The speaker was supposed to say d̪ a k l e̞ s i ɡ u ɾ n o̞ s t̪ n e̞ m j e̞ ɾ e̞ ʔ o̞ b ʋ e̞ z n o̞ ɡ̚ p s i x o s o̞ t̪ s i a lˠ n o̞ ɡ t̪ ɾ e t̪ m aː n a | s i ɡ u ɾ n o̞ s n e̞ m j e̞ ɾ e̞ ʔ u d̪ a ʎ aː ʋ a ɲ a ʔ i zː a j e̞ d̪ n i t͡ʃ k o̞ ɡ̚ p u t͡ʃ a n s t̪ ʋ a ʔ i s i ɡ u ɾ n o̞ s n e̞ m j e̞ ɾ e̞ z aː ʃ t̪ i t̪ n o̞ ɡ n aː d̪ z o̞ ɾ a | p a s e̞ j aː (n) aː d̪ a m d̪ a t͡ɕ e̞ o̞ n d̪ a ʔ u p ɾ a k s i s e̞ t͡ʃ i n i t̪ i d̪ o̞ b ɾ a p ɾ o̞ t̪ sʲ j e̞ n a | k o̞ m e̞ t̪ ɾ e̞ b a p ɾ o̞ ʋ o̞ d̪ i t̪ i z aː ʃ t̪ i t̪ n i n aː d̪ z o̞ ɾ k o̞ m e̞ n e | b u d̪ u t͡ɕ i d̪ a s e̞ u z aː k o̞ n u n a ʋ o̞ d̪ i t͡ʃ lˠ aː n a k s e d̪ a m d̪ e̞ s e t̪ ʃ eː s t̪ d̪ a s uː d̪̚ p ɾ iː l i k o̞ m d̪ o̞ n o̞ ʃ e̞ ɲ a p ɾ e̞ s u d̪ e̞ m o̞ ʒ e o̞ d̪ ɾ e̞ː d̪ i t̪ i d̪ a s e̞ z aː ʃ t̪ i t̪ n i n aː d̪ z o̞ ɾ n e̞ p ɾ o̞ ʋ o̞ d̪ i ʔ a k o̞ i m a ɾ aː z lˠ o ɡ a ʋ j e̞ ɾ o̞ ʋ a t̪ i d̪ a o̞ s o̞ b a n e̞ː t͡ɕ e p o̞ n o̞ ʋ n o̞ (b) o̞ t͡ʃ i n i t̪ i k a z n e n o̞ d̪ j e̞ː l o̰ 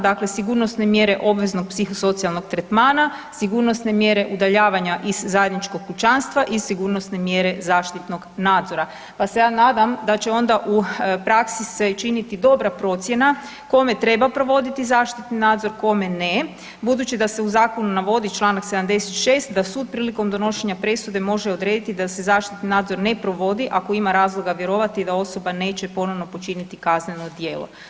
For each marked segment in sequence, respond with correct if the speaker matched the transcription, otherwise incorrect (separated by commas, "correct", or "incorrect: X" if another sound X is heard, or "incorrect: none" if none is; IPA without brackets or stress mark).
correct, incorrect: p